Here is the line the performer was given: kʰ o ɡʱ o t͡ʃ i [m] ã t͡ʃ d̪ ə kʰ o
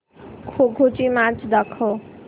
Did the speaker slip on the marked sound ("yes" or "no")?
no